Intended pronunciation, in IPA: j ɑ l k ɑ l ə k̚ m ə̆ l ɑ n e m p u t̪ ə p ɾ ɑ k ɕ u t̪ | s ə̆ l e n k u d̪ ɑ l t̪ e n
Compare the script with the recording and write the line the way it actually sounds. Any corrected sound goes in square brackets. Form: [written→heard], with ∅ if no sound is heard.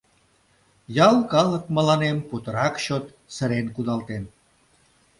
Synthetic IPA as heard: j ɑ l k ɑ l ə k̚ m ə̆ l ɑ n e m p u t̪ ə [p→∅] ɾ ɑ k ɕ [u→o] t̪ | s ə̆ [l→ɾ] e n k u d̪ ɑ l t̪ e n